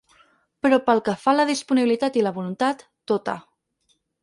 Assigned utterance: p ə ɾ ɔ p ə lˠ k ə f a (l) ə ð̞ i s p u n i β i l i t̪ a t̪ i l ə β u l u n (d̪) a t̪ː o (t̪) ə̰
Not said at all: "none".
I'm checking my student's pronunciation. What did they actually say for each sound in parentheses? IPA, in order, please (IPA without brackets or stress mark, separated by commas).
l, t̪, t̪